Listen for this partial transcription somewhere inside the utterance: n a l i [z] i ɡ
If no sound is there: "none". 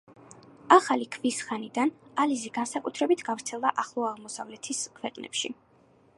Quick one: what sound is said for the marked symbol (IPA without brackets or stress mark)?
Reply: z